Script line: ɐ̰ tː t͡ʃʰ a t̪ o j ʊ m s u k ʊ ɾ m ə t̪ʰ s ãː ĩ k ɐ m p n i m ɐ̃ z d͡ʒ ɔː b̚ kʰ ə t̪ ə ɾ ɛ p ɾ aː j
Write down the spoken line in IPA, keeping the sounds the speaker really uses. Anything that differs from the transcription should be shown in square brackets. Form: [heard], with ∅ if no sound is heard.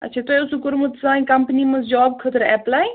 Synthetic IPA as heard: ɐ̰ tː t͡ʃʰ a t̪ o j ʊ [∅] s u k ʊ ɾ m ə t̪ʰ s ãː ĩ k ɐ m p n i m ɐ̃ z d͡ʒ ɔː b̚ kʰ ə t̪ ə ɾ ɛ p [l] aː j